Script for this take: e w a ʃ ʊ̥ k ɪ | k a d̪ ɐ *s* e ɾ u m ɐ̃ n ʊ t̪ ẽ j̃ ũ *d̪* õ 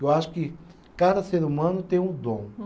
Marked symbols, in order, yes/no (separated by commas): yes, yes